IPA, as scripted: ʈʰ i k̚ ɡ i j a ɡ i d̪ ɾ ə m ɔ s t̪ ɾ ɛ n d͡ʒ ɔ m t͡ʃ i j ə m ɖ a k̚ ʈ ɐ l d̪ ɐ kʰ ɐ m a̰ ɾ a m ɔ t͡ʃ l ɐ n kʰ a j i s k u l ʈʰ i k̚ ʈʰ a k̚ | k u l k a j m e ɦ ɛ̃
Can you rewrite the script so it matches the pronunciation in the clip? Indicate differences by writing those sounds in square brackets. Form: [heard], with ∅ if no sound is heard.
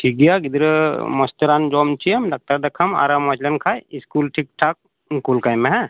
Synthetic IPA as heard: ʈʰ i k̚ ɡ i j a ɡ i d̪ ɾ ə m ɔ s t̪ ɾ [a] n d͡ʒ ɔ m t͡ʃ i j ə m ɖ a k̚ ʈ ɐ [ɾ] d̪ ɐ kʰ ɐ m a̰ ɾ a m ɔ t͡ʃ l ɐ n kʰ a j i s k u l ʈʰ i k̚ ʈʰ a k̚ | k u l k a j m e ɦ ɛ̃